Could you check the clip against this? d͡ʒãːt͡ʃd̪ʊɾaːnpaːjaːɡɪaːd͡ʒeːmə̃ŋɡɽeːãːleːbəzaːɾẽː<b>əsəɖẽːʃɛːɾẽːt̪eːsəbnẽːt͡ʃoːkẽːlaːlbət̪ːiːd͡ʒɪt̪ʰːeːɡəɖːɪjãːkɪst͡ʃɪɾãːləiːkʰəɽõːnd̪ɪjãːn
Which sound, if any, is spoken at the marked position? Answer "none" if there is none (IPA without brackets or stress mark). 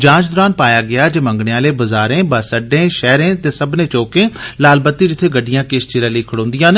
b